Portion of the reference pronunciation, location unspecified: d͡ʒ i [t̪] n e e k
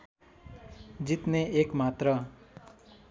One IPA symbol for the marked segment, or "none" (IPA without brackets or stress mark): t̪